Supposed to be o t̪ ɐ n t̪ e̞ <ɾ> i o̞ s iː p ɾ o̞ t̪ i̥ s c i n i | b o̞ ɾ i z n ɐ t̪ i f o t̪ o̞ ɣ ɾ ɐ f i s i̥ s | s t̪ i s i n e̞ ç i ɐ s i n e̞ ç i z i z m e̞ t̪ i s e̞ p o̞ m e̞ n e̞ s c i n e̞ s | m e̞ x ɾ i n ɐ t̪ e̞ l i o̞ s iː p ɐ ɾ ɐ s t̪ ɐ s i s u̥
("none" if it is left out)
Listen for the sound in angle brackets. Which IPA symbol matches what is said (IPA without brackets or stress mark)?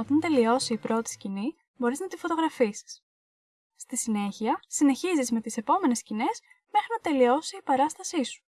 l